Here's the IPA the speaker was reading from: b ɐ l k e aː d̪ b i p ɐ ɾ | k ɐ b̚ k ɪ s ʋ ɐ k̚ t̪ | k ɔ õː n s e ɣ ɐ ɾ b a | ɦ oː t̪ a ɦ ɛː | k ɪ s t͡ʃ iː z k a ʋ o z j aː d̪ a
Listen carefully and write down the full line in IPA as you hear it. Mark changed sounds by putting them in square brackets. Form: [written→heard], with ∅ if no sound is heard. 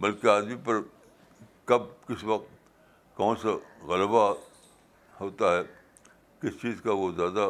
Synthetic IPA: b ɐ l k e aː d̪ [b→m] i p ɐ ɾ | k ɐ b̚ k ɪ s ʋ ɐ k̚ t̪ | k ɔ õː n s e ɣ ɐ [ɾ→l] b a | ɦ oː t̪ a ɦ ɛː | k ɪ s t͡ʃ iː z k a ʋ o z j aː d̪ a